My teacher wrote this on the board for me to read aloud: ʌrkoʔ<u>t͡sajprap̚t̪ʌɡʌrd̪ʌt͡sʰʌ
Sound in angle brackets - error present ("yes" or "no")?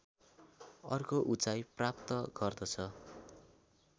no